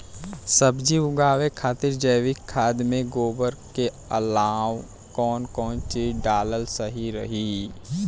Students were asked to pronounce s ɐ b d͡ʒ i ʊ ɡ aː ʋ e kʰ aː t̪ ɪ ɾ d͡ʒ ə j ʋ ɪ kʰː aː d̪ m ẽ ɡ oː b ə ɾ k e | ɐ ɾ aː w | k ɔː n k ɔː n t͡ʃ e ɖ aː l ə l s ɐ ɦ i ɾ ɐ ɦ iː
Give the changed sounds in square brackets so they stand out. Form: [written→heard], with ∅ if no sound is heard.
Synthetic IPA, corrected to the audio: s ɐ b d͡ʒ i ʊ ɡ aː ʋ e kʰ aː t̪ ɪ ɾ d͡ʒ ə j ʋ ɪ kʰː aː d̪ m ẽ ɡ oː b ə ɾ k e | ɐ [ɾ→l] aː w | k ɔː n k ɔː n t͡ʃ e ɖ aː l ə l s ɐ ɦ i ɾ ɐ ɦ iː